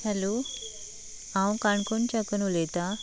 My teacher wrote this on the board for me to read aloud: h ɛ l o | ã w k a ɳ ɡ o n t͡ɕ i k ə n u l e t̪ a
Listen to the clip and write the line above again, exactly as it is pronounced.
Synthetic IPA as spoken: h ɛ l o | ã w k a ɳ k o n t͡ɕ a k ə n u l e t̪ a